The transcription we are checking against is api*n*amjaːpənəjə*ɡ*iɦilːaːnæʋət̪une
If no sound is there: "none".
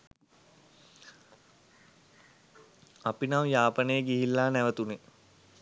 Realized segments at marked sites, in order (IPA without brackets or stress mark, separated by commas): n, ɡ